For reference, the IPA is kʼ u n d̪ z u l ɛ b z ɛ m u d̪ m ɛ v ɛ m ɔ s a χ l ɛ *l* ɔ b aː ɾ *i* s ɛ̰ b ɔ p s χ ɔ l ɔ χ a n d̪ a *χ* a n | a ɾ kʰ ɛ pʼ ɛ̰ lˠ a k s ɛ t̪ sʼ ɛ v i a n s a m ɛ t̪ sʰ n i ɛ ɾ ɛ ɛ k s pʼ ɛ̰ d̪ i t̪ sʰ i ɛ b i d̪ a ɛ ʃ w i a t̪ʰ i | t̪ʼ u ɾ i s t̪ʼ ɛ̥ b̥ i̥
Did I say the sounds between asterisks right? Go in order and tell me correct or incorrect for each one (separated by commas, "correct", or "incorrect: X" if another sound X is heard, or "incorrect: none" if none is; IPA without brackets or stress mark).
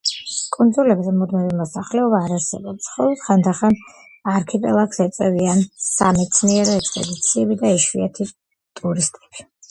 incorrect: none, incorrect: a, correct